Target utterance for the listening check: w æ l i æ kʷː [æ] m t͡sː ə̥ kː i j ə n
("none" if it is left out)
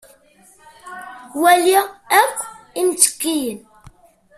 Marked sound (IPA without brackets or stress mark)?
i